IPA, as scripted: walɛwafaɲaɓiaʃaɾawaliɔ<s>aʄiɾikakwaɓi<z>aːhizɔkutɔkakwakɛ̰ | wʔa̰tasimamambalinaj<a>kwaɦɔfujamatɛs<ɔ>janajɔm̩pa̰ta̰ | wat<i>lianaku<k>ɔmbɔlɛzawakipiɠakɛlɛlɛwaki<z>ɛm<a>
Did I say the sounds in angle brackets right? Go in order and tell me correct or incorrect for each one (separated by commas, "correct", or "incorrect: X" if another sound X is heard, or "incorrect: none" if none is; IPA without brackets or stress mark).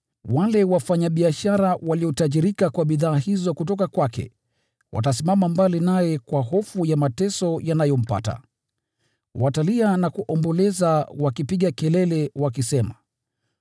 incorrect: t, incorrect: ð, incorrect: ɛ, correct, incorrect: a, incorrect: ʔ, incorrect: s, correct